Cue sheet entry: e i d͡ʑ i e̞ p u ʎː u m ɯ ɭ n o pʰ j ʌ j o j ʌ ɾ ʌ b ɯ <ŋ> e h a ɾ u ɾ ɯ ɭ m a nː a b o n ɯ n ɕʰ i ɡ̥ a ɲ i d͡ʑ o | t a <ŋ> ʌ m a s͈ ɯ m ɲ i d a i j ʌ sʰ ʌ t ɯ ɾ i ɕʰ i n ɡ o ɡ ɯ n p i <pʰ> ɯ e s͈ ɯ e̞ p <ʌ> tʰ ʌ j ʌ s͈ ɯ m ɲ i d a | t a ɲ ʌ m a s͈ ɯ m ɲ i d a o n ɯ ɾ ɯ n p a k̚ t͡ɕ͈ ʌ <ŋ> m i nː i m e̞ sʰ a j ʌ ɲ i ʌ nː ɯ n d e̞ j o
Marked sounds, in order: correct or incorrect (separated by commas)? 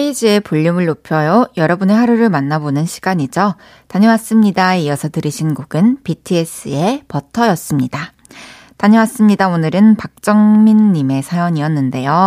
incorrect, incorrect, incorrect, correct, correct